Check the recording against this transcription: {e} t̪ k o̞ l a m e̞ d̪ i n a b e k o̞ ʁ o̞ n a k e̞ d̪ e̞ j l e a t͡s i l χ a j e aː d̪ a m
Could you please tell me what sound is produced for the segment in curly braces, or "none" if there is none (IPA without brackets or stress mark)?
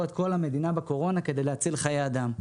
e